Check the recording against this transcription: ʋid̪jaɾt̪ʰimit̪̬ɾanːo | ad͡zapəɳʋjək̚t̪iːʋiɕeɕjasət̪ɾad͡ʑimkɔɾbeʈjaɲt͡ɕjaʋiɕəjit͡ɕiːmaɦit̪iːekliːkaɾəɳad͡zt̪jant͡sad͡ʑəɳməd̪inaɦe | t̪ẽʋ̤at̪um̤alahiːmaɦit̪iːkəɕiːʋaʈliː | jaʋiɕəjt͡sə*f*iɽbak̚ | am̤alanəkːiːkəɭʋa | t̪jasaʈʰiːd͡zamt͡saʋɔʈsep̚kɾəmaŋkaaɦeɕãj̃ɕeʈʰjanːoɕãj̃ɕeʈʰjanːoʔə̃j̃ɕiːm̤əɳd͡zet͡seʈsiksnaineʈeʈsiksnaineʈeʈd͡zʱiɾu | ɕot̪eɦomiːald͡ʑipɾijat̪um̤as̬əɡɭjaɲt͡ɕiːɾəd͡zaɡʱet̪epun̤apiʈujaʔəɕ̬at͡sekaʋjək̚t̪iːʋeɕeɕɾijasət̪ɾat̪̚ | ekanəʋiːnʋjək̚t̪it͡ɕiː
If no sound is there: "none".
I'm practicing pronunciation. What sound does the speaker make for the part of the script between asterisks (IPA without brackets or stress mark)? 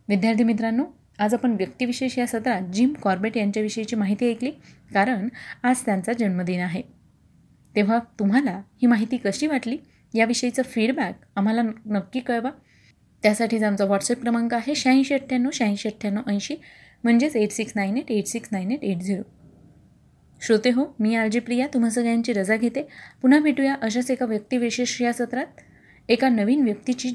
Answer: f